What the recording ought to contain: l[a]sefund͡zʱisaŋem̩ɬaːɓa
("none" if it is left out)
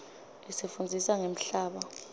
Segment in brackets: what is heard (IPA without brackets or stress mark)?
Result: i